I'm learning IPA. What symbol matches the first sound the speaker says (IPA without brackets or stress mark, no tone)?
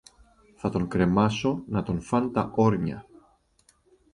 θ